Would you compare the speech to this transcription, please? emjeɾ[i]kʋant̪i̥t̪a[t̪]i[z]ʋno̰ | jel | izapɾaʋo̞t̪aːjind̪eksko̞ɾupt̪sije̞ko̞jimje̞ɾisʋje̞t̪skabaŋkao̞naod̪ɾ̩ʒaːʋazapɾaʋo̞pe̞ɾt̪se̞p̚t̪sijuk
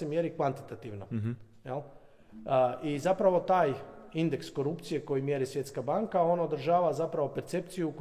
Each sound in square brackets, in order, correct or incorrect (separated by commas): correct, correct, incorrect